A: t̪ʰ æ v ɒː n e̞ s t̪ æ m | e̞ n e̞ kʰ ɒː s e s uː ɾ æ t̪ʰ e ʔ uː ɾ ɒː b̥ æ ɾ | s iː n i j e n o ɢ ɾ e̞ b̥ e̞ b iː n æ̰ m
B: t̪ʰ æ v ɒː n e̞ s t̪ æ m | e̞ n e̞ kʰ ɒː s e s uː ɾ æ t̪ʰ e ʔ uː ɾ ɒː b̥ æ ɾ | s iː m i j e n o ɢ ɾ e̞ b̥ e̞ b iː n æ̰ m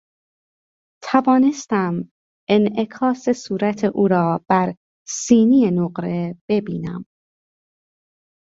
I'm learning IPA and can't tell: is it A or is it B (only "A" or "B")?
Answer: A